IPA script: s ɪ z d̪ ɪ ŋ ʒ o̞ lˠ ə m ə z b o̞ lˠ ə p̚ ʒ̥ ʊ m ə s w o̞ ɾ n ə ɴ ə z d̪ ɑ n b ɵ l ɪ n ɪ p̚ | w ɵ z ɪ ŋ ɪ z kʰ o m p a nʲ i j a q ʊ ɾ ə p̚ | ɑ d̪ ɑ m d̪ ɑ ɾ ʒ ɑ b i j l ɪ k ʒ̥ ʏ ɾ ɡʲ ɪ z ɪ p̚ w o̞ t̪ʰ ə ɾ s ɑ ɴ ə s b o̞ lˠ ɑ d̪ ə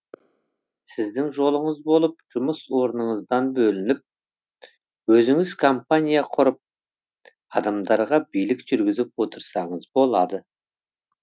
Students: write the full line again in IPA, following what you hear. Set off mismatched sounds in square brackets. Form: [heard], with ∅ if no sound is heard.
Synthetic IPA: s ɪ z d̪ ɪ ŋ ʒ o̞ lˠ ə [ɴ] ə z b o̞ lˠ ə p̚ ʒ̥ ʊ m ə s w o̞ ɾ n ə ɴ ə z d̪ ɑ n b ɵ l ɪ n ɪ p̚ | w ɵ z ɪ ŋ ɪ z kʰ o m p a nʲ i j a [qʰ] ʊ ɾ ə p̚ | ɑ d̪ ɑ m d̪ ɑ ɾ [ʁ] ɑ b i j l ɪ k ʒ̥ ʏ ɾ ɡʲ ɪ z ɪ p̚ w o̞ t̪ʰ ə ɾ s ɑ ɴ ə [z] b o̞ lˠ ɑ d̪ ə